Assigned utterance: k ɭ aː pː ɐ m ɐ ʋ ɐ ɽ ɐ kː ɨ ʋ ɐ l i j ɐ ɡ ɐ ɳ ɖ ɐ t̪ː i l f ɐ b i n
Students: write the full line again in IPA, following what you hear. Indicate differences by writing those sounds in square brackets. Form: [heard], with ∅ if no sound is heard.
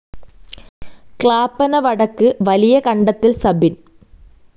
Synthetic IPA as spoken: k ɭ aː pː ɐ [n] ɐ ʋ ɐ ɽ ɐ kː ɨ ʋ ɐ l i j ɐ [k] ɐ ɳ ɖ ɐ t̪ː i l [s] ɐ b i n